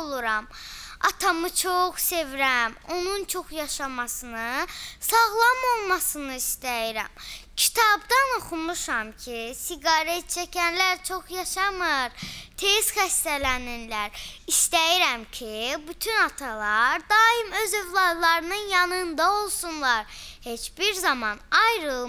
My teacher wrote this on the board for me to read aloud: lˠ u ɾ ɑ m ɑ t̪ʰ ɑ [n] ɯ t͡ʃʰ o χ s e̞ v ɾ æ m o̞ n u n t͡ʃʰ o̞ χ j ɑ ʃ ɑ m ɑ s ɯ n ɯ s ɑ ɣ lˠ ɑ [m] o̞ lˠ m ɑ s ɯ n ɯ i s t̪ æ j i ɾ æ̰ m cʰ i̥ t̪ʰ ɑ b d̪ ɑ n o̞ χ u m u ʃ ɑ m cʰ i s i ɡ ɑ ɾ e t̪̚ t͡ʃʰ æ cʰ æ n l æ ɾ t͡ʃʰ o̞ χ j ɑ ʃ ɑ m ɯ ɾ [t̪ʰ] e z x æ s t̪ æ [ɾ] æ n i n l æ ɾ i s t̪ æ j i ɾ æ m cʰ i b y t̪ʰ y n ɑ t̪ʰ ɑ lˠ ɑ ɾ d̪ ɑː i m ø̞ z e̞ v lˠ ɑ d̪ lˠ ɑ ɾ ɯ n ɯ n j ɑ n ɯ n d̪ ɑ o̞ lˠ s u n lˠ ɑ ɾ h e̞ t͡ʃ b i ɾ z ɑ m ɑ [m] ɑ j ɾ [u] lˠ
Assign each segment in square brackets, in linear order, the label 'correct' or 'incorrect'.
incorrect: m, correct, correct, incorrect: l, incorrect: n, incorrect: ɯ

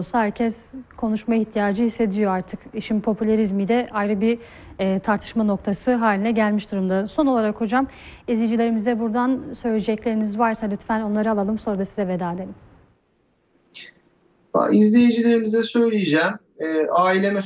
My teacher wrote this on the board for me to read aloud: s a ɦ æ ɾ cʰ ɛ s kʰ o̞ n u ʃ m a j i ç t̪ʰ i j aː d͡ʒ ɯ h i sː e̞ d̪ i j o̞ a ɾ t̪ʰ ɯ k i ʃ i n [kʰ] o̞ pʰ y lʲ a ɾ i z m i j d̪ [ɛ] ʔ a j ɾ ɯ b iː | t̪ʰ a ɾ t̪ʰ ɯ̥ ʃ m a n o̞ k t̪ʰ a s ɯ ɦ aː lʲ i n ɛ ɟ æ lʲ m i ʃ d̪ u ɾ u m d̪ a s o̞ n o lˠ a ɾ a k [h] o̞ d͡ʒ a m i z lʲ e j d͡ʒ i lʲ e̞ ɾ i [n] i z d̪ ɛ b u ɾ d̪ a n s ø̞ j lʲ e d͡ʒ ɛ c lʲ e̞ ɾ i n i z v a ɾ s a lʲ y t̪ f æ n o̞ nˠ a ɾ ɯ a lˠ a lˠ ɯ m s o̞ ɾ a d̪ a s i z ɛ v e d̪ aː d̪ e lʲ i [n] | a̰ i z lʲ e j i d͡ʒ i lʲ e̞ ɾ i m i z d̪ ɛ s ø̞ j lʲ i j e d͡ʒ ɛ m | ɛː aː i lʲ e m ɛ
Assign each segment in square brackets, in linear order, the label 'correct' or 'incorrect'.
incorrect: pʰ, correct, correct, incorrect: m, incorrect: m

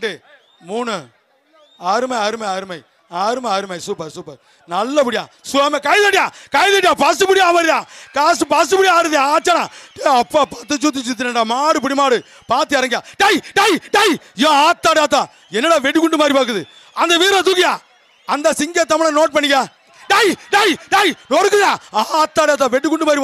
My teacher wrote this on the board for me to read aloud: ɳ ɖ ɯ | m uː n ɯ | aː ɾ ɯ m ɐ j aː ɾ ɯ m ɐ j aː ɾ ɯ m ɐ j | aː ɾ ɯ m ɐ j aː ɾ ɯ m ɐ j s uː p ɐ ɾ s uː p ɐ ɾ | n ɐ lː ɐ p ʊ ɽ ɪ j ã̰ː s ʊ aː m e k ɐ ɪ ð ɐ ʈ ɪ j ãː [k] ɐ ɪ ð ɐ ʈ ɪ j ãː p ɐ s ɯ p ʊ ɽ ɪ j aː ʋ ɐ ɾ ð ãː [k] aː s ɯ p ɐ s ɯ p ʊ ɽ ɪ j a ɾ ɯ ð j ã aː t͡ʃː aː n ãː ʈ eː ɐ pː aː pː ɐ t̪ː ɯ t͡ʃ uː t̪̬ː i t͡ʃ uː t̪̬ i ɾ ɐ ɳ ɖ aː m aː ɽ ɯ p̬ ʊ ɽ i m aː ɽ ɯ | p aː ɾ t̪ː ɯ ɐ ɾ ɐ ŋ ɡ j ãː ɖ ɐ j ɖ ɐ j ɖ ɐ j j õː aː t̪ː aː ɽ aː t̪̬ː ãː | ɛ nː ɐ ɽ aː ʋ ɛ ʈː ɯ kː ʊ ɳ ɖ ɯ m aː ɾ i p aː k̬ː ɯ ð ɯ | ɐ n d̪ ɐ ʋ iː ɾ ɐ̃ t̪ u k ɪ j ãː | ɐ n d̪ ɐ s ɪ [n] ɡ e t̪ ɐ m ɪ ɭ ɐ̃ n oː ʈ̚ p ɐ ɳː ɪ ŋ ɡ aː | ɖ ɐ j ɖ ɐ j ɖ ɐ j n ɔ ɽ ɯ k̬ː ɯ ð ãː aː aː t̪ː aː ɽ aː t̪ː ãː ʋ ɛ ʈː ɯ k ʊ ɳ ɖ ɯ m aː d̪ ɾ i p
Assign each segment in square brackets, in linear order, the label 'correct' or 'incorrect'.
correct, correct, incorrect: ŋ

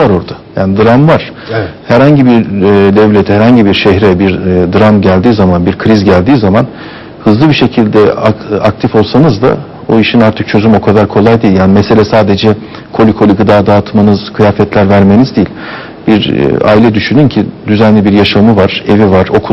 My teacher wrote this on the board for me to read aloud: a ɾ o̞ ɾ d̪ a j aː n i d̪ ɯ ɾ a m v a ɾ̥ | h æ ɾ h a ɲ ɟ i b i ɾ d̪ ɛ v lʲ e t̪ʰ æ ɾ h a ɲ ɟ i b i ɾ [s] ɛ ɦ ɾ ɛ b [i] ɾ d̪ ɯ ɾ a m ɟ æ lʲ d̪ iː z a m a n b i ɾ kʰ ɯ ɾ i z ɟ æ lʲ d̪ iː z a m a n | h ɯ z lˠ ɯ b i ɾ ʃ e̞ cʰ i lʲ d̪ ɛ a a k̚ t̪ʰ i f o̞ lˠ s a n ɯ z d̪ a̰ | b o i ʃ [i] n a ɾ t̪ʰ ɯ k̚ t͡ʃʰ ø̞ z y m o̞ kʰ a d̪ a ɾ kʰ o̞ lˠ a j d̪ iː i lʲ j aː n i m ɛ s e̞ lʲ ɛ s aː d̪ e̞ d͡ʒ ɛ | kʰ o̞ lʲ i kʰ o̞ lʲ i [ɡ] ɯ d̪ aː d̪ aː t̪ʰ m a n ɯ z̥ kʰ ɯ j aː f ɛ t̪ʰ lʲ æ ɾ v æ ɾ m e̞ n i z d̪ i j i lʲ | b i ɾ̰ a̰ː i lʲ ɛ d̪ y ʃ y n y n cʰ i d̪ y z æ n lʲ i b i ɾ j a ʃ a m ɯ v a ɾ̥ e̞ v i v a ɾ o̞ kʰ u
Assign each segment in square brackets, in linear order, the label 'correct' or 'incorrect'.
incorrect: ʃ, correct, correct, correct

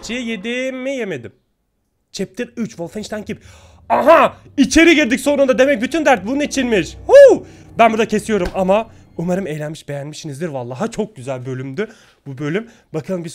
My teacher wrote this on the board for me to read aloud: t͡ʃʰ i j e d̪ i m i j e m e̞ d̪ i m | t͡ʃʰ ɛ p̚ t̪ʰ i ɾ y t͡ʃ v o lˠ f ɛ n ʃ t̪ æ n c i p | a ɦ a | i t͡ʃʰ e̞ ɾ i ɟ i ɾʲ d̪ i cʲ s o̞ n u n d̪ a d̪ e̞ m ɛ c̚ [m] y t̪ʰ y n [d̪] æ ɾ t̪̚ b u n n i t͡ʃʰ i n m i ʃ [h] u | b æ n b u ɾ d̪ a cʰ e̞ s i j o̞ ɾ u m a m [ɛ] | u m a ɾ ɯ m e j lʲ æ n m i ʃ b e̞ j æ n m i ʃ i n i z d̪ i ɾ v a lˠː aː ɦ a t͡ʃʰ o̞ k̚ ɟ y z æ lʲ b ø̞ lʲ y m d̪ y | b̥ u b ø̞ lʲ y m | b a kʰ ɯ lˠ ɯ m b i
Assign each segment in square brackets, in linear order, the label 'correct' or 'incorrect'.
incorrect: b, correct, correct, incorrect: a

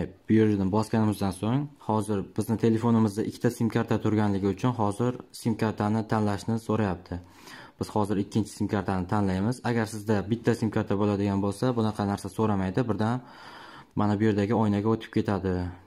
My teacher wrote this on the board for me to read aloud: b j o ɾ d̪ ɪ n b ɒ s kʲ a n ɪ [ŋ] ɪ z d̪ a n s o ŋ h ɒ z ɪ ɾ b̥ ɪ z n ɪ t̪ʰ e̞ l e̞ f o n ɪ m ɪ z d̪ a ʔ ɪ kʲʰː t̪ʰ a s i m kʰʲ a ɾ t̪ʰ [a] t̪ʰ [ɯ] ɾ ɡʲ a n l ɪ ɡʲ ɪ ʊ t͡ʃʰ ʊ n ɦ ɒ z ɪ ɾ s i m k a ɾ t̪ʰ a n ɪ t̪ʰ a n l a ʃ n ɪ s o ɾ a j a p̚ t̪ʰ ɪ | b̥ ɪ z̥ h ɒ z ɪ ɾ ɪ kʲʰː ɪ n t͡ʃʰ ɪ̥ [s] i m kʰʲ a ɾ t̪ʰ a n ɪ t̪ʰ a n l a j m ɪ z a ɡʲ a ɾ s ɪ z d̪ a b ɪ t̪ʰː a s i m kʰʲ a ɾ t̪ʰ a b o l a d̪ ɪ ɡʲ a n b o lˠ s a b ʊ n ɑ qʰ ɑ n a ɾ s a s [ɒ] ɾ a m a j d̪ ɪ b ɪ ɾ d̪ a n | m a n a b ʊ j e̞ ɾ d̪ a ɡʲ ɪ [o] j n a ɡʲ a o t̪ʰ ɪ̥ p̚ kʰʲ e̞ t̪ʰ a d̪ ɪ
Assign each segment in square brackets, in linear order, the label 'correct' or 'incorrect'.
incorrect: m, correct, incorrect: ʊ, correct, incorrect: o, incorrect: ɒ

